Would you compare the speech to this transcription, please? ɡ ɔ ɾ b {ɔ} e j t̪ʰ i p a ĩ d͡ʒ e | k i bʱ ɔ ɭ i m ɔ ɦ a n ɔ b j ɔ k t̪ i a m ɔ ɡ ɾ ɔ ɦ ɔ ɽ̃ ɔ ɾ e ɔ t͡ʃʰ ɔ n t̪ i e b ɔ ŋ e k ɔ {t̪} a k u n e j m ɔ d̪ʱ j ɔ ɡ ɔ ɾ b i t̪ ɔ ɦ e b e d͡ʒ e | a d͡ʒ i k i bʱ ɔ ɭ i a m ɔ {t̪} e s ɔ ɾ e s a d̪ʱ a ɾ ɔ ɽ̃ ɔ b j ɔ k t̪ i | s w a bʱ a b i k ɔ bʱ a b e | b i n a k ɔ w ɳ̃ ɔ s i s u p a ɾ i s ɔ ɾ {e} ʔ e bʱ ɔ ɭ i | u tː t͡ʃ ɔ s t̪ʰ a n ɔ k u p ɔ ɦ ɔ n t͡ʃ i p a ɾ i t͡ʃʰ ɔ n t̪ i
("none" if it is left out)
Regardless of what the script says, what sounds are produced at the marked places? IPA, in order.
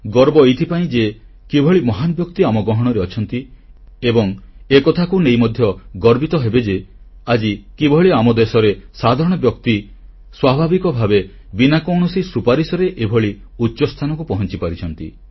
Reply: ɔ, t̪ʰ, d̪, e

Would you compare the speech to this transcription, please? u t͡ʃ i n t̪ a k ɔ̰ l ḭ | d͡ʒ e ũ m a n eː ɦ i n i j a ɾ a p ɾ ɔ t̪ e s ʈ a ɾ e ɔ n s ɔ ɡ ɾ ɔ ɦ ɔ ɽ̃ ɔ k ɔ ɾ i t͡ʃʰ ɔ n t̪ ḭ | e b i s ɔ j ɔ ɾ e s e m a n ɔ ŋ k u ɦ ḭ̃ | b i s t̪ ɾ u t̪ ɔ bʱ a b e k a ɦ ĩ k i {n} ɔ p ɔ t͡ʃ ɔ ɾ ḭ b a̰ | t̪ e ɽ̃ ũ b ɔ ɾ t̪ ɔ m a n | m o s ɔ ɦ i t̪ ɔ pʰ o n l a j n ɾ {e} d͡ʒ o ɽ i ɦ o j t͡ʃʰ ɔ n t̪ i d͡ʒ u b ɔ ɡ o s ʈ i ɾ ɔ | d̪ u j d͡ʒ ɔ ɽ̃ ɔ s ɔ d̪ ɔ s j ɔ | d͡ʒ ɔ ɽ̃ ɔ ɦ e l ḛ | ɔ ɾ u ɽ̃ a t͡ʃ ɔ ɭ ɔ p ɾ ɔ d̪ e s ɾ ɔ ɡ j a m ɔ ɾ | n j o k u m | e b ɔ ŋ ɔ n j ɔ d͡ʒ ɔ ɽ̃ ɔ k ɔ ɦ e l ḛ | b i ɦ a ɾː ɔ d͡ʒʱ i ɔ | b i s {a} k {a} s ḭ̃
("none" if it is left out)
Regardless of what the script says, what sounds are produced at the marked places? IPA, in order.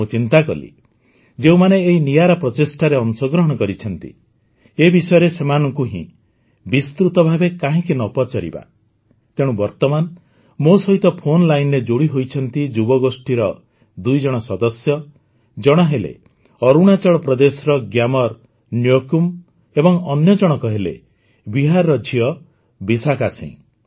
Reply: n, e, a, a

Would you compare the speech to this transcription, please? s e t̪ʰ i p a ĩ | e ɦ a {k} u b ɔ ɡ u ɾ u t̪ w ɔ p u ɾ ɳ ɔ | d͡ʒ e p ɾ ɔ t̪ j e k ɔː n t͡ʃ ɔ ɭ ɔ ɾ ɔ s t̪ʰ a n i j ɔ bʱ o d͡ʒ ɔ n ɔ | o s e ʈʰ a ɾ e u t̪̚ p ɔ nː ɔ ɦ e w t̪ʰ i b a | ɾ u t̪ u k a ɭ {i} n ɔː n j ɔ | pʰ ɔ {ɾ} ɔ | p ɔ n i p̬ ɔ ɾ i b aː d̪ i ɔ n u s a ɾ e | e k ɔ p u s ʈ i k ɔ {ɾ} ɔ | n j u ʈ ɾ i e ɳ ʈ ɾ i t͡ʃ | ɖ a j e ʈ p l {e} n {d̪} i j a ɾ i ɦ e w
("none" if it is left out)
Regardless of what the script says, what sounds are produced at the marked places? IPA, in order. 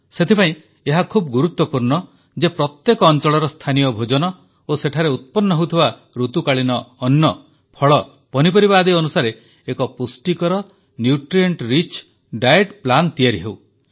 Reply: kʰ, i, ɭ, ɾ, a, t̪

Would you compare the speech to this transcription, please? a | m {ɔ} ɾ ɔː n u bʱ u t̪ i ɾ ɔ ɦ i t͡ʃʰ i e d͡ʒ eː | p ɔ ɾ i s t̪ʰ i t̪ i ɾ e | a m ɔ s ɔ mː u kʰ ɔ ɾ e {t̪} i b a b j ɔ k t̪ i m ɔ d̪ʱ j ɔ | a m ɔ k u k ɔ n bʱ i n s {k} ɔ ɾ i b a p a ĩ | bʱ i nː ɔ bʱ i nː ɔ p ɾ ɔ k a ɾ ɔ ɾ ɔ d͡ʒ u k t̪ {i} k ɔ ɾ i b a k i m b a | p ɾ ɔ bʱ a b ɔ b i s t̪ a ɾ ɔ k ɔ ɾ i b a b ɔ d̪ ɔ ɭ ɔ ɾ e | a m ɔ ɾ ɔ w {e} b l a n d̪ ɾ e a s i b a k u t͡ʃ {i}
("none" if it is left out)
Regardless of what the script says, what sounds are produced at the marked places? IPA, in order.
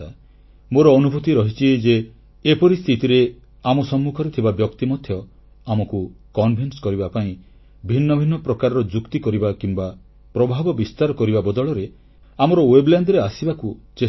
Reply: o, t̪ʰ, k, i, e, e

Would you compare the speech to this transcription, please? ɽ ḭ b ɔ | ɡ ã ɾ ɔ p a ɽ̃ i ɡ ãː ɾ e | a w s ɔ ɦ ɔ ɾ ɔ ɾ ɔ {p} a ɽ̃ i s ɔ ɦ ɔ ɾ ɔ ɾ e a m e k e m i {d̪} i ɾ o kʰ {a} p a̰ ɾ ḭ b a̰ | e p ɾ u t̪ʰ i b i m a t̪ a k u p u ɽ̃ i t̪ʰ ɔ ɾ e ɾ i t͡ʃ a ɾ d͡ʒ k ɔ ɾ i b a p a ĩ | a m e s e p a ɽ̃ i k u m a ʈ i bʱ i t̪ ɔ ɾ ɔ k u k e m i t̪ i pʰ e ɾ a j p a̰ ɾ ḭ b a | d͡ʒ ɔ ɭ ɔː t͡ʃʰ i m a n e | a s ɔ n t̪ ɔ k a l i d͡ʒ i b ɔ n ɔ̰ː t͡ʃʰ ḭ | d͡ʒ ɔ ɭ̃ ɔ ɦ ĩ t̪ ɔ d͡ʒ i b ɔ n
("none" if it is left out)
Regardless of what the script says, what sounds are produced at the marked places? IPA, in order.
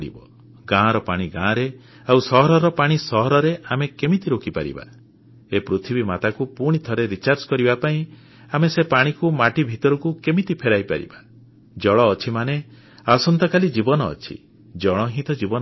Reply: p, t̪, i

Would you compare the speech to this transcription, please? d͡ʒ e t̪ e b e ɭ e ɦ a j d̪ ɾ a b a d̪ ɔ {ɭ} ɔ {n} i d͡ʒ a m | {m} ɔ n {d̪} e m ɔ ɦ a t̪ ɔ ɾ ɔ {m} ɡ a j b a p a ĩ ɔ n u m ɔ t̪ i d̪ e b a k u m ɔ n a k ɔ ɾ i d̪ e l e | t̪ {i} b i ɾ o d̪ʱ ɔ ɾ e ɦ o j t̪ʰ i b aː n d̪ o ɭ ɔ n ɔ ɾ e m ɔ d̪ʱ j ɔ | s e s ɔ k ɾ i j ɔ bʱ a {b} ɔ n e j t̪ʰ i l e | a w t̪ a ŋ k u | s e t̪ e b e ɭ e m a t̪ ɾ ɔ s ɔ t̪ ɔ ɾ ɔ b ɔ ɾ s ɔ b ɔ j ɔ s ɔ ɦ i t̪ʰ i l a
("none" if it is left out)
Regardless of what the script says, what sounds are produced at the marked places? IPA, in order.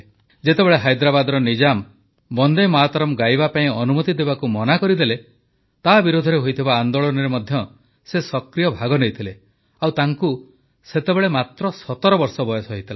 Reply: ɾ, n, b, d̪, m, a, ɡ

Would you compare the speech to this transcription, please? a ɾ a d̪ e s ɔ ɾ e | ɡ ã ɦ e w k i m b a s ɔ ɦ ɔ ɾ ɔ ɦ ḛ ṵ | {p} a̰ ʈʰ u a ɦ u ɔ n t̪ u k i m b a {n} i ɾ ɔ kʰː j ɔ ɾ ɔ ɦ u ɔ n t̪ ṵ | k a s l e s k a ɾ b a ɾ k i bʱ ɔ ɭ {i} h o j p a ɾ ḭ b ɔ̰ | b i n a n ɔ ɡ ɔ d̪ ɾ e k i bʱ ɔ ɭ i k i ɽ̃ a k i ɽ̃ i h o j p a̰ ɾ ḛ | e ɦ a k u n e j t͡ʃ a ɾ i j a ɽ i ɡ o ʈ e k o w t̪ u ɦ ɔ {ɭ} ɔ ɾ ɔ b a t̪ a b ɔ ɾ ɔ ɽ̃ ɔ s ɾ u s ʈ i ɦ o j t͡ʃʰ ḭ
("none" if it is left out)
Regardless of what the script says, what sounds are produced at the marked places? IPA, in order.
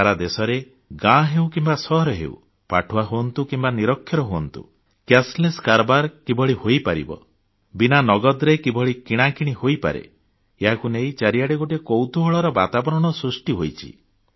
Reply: p, n, i, ɭ

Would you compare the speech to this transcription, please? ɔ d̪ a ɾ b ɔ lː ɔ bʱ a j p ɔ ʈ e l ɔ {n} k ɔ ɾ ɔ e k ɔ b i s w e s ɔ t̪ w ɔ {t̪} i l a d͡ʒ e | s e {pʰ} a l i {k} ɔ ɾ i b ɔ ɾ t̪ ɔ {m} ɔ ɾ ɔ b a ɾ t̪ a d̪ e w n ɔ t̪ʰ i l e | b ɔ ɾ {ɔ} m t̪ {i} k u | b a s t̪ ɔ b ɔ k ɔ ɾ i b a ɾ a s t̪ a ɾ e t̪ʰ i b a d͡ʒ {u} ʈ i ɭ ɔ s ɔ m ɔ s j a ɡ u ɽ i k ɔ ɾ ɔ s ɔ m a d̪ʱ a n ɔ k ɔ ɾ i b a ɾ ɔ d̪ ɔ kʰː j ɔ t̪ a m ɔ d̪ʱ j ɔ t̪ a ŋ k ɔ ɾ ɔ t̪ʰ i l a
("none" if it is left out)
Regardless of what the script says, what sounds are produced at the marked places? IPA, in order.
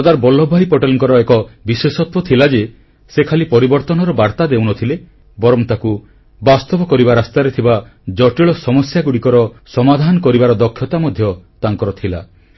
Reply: ŋ, t̪ʰ, kʰ, p, n, ɔ, a, ɔ

